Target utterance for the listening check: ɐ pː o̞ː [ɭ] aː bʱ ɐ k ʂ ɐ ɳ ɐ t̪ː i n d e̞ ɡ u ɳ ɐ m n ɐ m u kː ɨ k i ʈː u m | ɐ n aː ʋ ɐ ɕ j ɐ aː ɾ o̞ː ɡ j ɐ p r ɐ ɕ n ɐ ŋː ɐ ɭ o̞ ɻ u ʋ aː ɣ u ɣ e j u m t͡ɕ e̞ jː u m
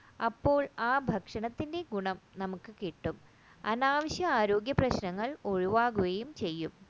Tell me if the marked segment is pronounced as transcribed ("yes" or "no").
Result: yes